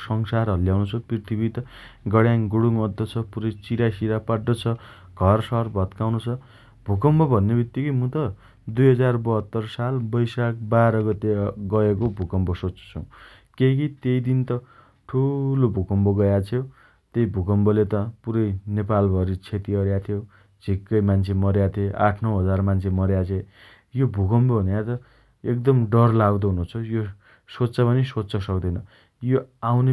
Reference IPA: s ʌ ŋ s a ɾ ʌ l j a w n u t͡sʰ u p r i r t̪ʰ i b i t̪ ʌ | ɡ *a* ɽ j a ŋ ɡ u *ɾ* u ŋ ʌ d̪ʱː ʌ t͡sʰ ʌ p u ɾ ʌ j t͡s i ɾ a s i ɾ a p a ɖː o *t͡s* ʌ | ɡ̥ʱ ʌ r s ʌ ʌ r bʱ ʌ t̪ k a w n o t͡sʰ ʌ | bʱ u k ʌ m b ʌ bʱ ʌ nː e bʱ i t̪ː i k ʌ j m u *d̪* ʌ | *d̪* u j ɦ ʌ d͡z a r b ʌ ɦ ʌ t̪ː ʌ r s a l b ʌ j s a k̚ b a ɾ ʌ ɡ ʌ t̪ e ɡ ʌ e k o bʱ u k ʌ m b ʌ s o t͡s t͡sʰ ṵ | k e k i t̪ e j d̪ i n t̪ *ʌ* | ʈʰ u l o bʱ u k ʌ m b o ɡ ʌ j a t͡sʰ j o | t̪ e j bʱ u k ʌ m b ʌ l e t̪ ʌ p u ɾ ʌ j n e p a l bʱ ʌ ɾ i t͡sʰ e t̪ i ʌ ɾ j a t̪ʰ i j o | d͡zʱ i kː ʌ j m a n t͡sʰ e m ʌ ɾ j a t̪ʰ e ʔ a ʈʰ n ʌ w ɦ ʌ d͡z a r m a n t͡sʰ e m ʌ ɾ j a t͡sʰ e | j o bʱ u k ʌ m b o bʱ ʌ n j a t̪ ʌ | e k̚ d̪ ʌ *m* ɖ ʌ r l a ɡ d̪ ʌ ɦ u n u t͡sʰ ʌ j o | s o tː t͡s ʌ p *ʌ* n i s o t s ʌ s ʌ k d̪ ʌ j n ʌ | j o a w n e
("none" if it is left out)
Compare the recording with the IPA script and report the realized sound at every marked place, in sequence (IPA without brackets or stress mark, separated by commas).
ʌ, ɽ, t͡sʰ, t̪, d̪, ʌ, m, ʌ